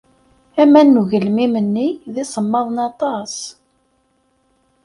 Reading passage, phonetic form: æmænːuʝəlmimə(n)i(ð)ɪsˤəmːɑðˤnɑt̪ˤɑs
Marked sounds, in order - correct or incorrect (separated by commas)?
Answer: incorrect, correct